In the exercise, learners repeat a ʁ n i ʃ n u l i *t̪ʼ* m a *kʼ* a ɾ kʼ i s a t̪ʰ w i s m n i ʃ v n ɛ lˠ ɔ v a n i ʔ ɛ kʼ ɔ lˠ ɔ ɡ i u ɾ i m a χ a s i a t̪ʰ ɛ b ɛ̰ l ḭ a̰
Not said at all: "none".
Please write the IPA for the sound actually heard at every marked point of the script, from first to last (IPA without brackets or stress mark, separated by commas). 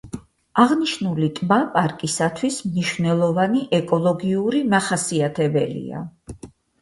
t̪ʼ, pʼ